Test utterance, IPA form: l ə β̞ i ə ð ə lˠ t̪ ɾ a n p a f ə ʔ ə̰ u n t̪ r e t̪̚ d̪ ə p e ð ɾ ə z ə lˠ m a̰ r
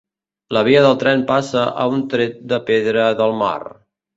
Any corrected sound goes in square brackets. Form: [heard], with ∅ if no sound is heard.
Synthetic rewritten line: l ə β̞ i ə ð ə lˠ t̪ ɾ [ɛ] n p a [s] ə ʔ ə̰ u n t̪ [ɾ] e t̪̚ d̪ ə p e ð ɾ ə [ð] ə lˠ m a̰ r